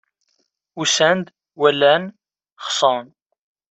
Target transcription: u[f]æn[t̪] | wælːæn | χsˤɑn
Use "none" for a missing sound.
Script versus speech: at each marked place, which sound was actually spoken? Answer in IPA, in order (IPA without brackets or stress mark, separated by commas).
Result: s, d̪